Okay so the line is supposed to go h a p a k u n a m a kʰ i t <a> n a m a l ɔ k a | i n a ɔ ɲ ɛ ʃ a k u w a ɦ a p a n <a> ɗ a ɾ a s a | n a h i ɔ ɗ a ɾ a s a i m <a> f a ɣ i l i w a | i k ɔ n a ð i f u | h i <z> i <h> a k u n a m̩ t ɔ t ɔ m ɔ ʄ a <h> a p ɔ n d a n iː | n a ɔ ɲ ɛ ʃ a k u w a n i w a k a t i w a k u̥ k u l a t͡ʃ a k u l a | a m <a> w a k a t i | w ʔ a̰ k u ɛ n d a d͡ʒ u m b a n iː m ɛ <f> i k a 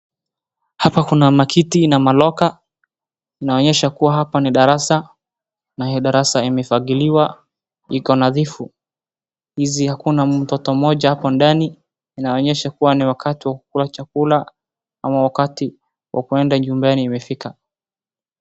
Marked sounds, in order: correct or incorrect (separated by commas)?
incorrect, incorrect, incorrect, correct, correct, correct, correct, correct